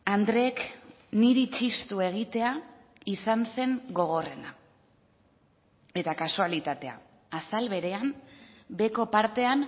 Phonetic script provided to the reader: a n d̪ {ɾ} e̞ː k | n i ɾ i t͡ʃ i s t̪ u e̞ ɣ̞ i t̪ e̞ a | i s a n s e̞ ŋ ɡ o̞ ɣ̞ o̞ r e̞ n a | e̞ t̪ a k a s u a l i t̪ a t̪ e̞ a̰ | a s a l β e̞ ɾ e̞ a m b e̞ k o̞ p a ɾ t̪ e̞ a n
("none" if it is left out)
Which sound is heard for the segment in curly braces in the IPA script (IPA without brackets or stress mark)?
ɾ